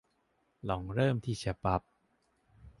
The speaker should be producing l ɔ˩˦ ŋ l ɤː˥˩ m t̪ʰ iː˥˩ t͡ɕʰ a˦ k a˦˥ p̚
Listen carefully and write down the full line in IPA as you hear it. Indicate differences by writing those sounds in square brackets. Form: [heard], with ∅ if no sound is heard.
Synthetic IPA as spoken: l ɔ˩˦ ŋ [ɾ] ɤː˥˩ m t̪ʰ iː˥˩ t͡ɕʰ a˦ [p] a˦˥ p̚